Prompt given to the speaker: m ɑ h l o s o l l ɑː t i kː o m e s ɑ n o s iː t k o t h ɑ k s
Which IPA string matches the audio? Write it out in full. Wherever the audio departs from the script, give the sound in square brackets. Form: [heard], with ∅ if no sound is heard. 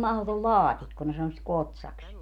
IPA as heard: m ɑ h l o [t] o l l ɑː t i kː o [n] e s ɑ n o s [i] t k o t [s] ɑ k s